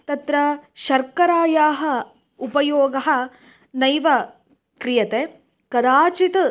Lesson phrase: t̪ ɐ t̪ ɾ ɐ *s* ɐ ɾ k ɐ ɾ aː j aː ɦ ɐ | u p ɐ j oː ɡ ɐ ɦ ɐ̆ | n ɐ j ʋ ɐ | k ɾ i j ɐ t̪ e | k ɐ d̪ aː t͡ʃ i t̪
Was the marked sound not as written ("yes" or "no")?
yes